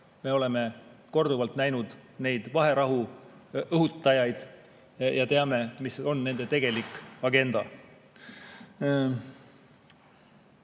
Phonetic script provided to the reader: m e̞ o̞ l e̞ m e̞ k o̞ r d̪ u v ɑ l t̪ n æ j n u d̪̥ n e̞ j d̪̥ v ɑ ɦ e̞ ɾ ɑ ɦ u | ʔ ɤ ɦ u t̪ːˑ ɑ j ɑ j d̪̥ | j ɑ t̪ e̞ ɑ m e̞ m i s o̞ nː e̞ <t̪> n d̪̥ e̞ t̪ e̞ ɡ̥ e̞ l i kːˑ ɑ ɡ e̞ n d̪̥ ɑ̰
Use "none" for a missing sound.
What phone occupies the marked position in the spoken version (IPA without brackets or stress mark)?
none